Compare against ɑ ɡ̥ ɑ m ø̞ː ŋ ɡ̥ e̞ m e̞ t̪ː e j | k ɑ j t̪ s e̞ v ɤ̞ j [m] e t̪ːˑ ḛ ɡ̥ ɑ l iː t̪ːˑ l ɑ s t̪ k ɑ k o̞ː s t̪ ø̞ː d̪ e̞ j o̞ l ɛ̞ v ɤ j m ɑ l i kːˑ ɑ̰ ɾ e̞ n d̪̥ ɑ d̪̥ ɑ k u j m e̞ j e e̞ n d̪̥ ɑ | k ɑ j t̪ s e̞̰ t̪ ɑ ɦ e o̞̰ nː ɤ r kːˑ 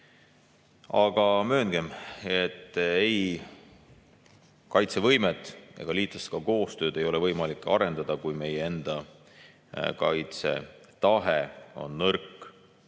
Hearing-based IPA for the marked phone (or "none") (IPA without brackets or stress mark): m